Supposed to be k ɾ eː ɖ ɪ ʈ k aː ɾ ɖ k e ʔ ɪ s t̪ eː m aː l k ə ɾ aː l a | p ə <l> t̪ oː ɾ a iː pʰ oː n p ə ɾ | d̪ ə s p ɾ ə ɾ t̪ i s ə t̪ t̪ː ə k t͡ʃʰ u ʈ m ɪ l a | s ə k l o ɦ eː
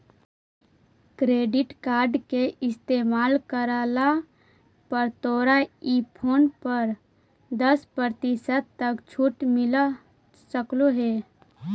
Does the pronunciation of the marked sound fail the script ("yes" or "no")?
yes